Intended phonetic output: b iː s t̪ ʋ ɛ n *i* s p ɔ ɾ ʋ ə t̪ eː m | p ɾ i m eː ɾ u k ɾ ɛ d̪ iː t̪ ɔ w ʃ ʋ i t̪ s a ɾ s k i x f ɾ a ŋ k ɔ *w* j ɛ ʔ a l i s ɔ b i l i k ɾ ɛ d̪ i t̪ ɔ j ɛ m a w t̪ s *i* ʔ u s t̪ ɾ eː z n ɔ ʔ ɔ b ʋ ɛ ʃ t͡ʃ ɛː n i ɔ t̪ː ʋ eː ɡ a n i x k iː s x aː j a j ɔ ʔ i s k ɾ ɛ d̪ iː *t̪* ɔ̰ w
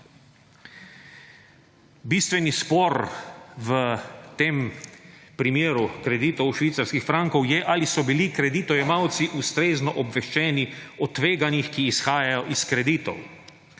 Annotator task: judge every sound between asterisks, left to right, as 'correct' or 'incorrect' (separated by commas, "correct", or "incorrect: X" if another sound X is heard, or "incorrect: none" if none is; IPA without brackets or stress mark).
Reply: correct, correct, correct, correct